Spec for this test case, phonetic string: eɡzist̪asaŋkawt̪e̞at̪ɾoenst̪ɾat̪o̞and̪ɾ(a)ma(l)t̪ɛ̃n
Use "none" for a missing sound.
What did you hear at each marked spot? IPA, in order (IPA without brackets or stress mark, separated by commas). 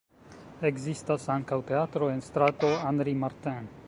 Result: i, ɾ